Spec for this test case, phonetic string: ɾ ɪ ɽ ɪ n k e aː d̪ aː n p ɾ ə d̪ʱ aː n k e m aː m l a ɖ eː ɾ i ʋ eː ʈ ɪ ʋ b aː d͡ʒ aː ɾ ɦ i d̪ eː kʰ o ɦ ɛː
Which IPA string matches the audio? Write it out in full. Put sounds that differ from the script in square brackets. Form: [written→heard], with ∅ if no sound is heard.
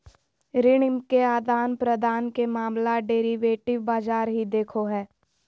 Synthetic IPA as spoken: ɾ ɪ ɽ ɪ [n→m] k e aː d̪ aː n p ɾ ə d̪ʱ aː n k e m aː m l a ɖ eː ɾ i ʋ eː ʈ ɪ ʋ b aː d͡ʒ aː ɾ ɦ i d̪ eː kʰ o ɦ ɛː